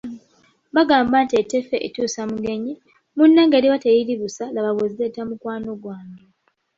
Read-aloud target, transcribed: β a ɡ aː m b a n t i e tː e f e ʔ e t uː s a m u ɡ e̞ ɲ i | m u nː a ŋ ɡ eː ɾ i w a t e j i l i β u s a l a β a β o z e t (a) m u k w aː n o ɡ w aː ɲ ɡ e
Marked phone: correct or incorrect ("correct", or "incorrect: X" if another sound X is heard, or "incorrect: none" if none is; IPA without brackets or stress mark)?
correct